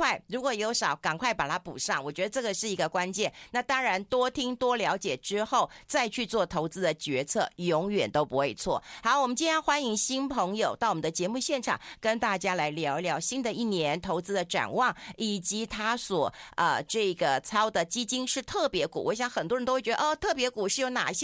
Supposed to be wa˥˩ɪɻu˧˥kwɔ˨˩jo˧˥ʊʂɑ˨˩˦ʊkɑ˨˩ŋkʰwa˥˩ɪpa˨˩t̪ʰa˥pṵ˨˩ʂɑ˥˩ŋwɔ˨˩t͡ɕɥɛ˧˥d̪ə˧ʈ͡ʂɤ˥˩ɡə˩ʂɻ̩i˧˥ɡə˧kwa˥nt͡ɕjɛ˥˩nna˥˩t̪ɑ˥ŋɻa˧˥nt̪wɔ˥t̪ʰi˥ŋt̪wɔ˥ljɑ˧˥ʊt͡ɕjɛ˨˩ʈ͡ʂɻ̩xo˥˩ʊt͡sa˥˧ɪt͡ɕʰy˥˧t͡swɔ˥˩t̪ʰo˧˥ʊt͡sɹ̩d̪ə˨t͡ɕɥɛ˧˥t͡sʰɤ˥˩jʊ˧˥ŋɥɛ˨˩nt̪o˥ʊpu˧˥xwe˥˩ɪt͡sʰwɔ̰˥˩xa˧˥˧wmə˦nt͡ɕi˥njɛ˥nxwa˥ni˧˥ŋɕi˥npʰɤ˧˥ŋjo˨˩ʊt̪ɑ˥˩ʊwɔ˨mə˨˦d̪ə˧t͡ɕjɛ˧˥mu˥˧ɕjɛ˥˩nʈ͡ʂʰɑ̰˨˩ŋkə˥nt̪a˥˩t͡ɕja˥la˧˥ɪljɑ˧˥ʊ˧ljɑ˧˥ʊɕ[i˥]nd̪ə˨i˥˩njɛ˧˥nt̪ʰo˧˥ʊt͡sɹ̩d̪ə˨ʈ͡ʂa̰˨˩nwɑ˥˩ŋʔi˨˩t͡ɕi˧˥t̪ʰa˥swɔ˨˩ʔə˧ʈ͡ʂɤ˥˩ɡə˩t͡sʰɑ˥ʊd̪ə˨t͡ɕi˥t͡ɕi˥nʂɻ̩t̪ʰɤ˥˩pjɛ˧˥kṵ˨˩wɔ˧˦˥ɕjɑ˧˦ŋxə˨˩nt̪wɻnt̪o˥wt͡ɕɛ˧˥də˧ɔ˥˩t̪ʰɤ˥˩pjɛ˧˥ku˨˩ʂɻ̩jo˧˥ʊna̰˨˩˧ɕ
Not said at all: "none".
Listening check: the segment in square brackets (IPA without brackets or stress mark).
i˥